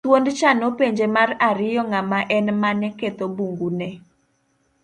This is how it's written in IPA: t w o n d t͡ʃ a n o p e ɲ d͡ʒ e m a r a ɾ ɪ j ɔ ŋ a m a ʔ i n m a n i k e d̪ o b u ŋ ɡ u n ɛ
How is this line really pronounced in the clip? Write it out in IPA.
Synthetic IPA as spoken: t w o n d t͡ʃ a n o p e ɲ d͡ʒ e m a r a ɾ ɪ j ɔ ŋ a m a ʔ ɛ n m a n ɛ k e t̪ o b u ŋ ɡ u n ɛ